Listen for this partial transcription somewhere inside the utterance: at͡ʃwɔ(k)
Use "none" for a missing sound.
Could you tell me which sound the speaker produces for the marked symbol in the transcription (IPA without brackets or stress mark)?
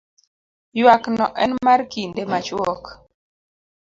k